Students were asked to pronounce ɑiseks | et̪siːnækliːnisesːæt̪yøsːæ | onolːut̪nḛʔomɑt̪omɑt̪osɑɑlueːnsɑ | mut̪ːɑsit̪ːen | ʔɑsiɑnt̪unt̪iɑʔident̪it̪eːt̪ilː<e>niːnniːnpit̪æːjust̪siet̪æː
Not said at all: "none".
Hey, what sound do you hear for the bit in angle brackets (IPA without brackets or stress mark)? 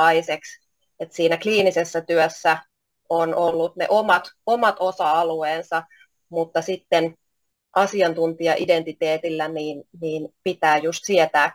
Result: æ